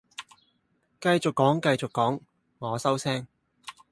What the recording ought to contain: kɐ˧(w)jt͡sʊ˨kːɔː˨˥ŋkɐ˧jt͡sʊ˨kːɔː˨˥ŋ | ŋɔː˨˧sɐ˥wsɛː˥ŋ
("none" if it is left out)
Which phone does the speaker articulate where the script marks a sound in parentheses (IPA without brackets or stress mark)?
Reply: none